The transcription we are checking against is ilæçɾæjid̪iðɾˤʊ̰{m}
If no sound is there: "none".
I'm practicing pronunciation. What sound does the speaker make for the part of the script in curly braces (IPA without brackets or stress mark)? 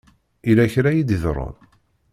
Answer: n